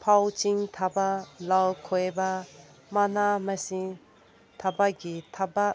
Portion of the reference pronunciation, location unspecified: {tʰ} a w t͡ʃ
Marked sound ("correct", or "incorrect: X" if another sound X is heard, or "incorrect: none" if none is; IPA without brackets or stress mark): incorrect: pʰ